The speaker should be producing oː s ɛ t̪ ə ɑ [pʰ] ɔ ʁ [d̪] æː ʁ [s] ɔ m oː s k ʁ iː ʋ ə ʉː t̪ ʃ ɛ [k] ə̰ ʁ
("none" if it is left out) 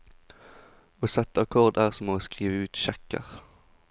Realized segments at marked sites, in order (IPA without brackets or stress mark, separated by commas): kʰ, d̪, s, k